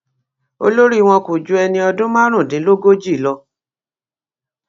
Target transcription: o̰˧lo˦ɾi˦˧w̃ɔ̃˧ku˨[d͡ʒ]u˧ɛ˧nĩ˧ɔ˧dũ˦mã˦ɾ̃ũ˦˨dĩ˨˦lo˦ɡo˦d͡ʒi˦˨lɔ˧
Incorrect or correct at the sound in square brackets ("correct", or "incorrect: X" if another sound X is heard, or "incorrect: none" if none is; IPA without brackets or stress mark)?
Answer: correct